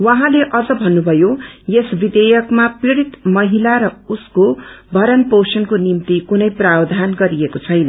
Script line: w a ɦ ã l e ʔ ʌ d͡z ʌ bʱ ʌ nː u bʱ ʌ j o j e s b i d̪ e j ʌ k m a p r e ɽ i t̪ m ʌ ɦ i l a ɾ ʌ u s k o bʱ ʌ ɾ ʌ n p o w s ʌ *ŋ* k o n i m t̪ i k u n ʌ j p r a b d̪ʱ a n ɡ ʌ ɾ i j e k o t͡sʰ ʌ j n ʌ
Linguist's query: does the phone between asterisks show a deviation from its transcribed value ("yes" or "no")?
yes